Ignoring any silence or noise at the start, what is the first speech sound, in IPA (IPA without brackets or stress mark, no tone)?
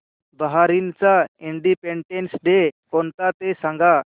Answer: b